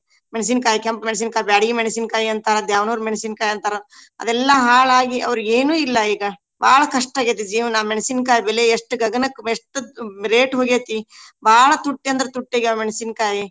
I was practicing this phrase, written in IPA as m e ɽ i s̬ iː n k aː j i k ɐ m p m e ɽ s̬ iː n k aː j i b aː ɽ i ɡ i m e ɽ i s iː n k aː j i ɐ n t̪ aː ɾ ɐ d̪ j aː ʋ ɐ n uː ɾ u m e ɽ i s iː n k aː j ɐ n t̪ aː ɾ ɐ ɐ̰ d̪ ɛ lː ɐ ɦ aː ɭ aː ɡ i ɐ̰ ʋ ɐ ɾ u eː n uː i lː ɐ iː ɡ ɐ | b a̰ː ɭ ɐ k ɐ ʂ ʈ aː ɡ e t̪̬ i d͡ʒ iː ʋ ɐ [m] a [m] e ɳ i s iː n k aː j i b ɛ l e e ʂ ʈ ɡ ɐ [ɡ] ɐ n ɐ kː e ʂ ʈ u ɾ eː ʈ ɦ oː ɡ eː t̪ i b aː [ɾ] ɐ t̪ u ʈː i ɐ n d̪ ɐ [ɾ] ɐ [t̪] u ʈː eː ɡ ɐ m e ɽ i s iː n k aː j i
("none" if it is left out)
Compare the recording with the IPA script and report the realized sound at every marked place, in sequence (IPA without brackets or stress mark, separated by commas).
n, m, ɡ, ɭ, ɾ, t̪